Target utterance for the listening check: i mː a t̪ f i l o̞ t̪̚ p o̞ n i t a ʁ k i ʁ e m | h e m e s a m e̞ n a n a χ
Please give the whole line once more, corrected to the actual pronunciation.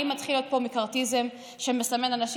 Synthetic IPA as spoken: i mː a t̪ χ i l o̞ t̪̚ p o̞ m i k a ʁ t i z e m | ʃ e m e s a m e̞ n a n a ʃ